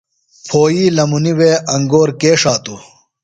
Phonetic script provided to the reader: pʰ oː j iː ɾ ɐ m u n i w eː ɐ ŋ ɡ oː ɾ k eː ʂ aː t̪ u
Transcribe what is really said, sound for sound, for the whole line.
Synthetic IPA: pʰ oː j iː l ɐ m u n i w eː ɐ ŋ ɡ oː ɾ k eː ʂ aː t̪ u